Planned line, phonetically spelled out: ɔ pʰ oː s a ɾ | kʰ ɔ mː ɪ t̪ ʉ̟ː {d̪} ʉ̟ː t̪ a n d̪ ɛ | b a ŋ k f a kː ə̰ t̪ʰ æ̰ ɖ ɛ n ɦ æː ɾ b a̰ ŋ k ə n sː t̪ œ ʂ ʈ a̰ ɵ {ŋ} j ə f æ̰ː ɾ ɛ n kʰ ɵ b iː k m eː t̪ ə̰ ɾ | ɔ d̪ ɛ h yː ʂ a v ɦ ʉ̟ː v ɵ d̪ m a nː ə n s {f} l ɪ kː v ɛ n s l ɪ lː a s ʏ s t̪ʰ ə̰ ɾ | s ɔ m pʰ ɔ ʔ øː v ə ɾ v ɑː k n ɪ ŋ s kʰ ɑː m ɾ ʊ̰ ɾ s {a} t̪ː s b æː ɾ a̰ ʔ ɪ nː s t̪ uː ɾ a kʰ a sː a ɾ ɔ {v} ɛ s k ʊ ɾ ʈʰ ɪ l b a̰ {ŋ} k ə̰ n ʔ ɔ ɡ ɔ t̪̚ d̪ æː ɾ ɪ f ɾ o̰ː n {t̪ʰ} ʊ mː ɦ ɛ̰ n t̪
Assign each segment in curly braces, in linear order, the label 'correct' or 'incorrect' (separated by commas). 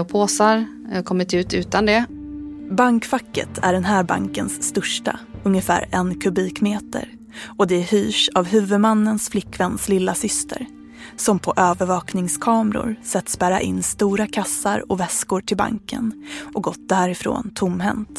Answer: incorrect, correct, correct, incorrect, correct, correct, correct